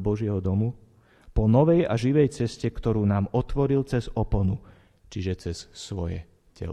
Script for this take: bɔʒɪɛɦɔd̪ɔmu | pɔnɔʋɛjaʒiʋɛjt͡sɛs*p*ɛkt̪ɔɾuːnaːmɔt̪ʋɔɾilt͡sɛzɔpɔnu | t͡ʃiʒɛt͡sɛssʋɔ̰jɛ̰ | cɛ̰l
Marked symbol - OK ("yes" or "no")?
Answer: no